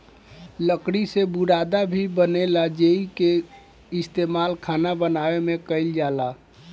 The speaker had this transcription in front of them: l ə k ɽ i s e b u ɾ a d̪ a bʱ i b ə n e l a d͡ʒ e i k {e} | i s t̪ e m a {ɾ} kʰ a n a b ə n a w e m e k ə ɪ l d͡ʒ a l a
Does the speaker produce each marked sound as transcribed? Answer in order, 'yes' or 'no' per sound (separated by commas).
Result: yes, no